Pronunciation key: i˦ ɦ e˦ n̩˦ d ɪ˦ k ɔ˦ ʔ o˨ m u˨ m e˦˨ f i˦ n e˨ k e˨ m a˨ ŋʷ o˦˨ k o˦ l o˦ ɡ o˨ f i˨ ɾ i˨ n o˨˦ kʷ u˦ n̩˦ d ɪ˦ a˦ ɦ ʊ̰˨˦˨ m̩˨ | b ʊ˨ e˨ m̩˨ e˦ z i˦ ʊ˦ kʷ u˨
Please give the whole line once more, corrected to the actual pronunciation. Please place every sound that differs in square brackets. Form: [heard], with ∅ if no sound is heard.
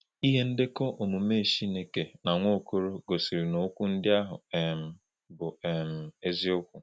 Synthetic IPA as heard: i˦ ɦ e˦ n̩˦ d ɪ˦ k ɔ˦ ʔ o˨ m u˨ m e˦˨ [ʃ] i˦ n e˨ k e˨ [n] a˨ ŋʷ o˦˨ k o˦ [ɾ] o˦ ɡ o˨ [s] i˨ ɾ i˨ n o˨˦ kʷ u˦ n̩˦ d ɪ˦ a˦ ɦ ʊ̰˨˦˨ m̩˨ | b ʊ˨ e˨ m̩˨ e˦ z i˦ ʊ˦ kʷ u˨